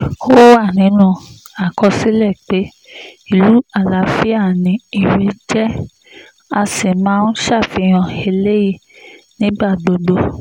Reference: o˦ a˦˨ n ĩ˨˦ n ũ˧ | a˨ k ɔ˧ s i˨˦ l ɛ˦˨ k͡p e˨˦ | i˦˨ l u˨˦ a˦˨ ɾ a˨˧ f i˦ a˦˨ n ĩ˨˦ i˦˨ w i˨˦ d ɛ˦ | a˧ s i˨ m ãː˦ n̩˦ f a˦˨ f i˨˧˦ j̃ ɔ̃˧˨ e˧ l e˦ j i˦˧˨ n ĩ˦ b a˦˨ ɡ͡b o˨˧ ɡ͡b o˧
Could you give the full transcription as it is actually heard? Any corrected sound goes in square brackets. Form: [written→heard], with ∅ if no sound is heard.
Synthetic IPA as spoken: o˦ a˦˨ n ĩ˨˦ n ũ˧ | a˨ k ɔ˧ s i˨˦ l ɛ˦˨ k͡p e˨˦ | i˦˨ l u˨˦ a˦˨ [ɾ→l] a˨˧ f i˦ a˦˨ n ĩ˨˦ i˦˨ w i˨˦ [d→d͡ʒ] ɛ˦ | a˧ s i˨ m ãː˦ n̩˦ [f→ʃ] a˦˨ f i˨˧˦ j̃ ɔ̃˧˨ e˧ l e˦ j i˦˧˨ n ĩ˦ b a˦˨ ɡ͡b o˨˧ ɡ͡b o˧